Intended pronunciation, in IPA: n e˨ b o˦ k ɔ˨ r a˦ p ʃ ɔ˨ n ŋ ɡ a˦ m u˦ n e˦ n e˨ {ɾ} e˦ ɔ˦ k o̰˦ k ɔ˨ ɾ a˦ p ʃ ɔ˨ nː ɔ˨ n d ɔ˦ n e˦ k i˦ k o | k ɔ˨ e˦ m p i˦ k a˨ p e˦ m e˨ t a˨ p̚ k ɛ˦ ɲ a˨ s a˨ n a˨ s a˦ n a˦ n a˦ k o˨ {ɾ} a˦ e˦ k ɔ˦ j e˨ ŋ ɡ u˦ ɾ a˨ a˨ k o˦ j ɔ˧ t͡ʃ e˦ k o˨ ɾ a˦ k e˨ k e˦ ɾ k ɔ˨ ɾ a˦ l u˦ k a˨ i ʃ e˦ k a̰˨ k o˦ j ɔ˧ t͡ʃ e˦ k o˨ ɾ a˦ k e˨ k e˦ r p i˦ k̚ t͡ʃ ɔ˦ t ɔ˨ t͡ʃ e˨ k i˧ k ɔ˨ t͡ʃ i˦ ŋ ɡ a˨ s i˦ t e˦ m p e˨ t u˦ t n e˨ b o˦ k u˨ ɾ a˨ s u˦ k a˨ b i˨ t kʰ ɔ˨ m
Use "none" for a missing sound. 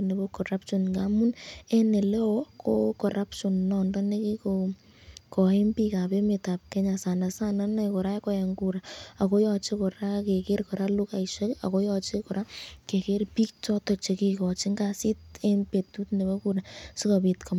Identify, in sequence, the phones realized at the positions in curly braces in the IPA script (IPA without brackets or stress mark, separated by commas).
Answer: l, ɾ